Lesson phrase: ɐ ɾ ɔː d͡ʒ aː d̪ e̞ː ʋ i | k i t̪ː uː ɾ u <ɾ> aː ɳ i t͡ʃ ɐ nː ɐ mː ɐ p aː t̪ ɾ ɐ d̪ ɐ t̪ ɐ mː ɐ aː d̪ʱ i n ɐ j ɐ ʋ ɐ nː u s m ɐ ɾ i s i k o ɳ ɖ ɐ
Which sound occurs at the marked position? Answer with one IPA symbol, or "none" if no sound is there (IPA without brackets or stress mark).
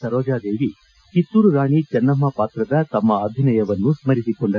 ɾ